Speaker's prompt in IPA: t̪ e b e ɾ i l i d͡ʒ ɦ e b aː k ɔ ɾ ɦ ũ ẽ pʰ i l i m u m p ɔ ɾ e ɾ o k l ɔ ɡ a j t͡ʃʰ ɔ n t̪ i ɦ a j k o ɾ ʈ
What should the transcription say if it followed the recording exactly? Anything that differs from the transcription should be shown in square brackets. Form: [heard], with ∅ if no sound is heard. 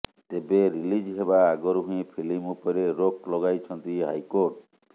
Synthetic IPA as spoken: t̪ e b e ɾ i l i d͡ʒ ɦ e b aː [ɡ] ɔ ɾ ɦ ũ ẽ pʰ i l i m u [∅] p ɔ ɾ e ɾ o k l ɔ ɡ a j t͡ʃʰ ɔ n t̪ i ɦ a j k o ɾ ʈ